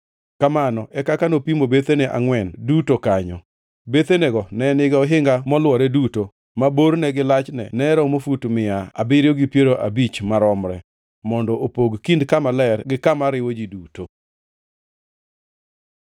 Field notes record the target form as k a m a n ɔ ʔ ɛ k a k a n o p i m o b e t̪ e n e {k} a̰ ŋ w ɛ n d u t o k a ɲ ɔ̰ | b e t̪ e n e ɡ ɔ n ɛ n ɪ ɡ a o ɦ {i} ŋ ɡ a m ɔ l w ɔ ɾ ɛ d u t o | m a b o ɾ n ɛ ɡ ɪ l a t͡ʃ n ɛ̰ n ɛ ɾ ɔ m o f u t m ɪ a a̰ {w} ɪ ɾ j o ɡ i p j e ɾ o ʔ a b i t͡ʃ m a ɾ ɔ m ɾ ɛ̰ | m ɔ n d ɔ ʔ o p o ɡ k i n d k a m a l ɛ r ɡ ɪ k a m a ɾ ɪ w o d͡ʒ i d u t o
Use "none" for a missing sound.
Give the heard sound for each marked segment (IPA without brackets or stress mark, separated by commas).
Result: ʔ, ɪ, b